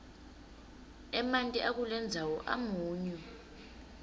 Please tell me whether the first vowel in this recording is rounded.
no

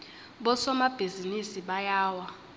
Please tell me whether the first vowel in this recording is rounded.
yes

